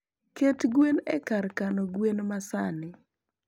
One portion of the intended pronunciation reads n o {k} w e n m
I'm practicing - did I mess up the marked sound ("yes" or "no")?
yes